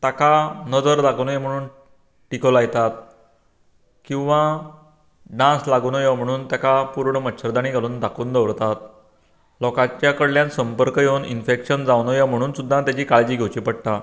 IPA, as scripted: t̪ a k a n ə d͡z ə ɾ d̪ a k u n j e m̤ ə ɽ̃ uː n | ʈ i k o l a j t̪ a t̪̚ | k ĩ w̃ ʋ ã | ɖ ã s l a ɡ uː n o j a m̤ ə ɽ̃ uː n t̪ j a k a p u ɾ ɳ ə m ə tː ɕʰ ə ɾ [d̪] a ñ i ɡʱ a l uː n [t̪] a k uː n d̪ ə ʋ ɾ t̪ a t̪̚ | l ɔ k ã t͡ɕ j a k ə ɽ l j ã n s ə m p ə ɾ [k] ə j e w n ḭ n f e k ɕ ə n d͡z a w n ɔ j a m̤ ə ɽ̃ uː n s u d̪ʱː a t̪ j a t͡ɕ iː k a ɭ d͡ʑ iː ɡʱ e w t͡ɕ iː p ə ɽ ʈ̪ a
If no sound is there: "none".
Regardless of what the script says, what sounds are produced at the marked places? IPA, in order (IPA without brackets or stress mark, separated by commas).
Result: d̪, d̪, k